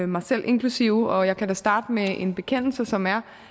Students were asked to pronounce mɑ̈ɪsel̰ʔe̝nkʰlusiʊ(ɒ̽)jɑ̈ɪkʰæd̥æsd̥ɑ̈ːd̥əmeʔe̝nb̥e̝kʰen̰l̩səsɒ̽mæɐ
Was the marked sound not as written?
no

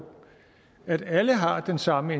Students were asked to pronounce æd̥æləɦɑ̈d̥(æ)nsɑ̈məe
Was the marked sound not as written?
yes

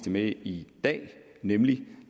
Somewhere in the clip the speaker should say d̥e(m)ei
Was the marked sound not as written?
no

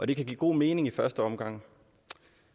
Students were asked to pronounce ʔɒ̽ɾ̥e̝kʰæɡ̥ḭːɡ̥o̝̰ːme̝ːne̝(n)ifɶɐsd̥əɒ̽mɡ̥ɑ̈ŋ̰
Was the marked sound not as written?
yes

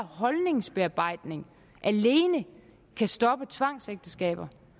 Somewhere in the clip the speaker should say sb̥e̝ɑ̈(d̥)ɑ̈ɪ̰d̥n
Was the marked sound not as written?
yes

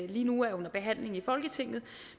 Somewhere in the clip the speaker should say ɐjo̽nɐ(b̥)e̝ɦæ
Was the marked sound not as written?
no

